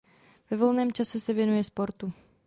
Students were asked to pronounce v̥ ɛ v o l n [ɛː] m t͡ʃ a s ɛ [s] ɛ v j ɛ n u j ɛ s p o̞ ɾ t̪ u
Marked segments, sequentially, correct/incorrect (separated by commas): correct, correct